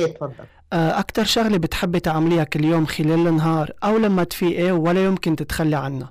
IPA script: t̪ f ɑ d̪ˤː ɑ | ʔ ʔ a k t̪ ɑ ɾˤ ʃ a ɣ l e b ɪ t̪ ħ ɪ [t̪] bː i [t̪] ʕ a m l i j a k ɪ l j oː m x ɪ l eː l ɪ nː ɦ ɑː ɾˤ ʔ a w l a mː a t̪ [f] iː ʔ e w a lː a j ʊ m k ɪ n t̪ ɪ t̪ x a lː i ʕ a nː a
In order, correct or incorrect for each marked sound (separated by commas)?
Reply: incorrect, correct, correct